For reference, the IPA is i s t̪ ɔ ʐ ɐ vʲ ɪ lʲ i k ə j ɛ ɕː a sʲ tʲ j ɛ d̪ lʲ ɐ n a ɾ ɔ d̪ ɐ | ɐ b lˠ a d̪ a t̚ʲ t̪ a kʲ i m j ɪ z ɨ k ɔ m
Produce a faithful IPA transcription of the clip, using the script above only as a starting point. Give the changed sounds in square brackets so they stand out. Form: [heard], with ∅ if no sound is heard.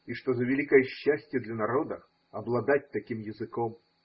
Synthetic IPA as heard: i [ʂ] t̪ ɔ [z] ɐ vʲ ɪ lʲ i k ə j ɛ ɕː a sʲ tʲ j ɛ d̪ lʲ ɐ n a ɾ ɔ d̪ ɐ | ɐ b lˠ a d̪ a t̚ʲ t̪ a kʲ i m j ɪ z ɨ k ɔ m